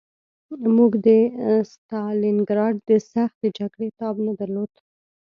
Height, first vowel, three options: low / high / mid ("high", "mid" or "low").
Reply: high